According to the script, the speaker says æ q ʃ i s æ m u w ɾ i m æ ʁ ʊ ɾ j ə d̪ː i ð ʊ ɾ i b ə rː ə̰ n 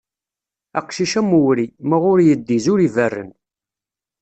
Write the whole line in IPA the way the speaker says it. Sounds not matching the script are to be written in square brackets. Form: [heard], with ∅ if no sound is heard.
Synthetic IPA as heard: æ q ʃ i [ʃ] æ m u w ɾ i m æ ʁ ʊ ɾ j ə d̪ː i [z] ʊ ɾ i [v] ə rː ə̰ n